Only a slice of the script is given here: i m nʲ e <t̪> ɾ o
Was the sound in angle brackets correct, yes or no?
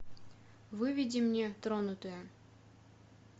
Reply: yes